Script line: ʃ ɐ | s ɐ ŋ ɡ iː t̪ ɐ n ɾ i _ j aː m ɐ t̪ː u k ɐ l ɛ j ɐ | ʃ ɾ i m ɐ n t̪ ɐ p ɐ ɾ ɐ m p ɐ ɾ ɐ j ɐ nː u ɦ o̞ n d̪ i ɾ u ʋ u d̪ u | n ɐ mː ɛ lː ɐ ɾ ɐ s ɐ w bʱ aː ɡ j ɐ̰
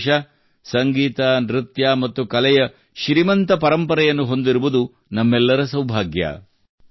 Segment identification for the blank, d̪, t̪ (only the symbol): t̪